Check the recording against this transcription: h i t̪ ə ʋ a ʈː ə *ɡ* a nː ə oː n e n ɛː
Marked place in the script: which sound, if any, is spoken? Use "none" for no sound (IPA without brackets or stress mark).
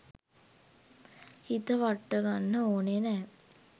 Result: ɡ